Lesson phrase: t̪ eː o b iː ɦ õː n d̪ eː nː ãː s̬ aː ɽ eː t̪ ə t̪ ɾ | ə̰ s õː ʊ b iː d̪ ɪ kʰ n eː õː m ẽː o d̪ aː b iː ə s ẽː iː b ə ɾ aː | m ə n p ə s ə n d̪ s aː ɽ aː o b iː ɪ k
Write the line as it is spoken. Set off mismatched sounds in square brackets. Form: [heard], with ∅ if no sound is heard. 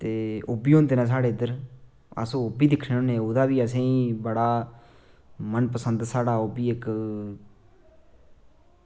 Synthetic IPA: t̪ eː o b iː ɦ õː n d̪ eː [n] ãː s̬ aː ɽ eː [d̪] ə [∅] ɾ | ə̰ s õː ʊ b iː d̪ ɪ kʰ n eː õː [n] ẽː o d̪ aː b iː ə s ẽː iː b ə [ɽ] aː | m ə n p ə s ə n d̪ s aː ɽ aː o b iː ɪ k